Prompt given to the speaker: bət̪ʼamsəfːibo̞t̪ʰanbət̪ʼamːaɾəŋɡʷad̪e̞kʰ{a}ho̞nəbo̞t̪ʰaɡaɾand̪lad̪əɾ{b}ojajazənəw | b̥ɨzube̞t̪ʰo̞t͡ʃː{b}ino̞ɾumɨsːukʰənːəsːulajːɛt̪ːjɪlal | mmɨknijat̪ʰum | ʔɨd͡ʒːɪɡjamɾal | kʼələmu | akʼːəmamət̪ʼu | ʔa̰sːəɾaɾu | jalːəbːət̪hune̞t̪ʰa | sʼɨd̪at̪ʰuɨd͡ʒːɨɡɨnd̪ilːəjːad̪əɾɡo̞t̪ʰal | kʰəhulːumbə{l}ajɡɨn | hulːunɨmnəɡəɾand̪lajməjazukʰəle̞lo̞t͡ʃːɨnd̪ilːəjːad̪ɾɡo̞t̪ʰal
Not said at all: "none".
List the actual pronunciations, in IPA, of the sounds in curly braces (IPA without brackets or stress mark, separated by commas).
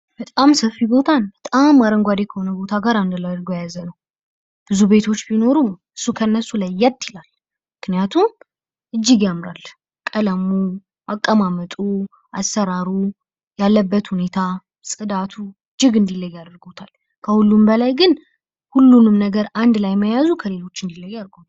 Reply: ə, ɡ, b, l